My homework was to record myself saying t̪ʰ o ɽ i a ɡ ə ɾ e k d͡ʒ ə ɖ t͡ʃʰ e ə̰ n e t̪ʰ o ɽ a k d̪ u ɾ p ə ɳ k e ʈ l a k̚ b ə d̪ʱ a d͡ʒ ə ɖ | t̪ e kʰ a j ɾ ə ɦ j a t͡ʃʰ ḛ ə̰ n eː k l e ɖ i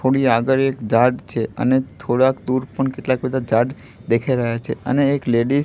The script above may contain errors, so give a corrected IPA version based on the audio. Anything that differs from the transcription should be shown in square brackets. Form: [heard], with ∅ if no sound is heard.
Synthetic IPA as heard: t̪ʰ o ɽ i a ɡ ə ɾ e k d͡ʒ [a] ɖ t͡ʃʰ e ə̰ n e t̪ʰ o ɽ a k d̪ u ɾ p ə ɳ k e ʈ l a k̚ b ə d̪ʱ a d͡ʒ [a] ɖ | [d̪] e kʰ a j ɾ ə ɦ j a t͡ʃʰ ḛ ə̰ n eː k l e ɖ i